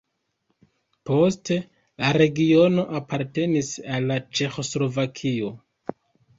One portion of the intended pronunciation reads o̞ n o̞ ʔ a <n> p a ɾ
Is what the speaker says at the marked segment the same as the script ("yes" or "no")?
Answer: no